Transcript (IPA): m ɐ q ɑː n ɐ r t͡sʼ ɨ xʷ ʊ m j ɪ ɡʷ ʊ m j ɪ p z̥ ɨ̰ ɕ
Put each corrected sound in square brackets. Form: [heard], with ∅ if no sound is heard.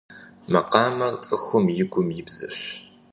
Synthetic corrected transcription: m ɐ q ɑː [m] ɐ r t͡sʼ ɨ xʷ ʊ m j ɪ ɡʷ ʊ m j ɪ [b] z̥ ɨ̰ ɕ